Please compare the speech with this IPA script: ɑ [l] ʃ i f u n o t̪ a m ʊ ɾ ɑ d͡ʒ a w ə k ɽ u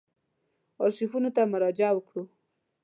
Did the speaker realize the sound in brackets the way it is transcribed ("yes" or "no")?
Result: no